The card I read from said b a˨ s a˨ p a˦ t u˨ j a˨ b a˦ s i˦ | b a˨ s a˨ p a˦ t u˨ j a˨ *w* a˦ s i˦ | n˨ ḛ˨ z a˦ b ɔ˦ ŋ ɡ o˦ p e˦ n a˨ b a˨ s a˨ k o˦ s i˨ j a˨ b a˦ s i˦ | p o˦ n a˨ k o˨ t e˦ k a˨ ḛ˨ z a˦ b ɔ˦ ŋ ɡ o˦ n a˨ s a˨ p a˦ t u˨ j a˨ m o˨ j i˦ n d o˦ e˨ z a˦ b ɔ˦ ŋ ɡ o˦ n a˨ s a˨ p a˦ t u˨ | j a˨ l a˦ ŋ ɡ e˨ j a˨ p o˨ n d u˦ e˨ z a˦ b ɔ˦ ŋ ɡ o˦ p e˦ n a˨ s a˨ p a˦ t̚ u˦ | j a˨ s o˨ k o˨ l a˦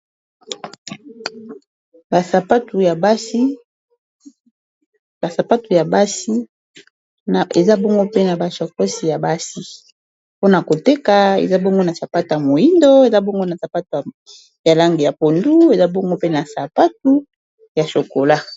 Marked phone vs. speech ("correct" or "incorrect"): incorrect